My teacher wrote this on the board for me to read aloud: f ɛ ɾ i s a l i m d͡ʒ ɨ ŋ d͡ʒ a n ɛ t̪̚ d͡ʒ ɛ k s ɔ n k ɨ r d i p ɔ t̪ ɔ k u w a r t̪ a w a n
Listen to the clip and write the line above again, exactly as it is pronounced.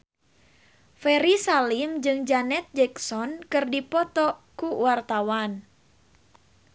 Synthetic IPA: f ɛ ɾ i s a l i m d͡ʒ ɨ ŋ d͡ʒ a n ɛ t̪̚ d͡ʒ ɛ k s ɔ n k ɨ r d i p ɔ t̪ ɔ k u w a r t̪ a w a n